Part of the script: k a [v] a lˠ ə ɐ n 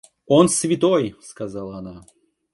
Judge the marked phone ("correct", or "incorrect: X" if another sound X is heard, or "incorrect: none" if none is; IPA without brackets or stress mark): incorrect: z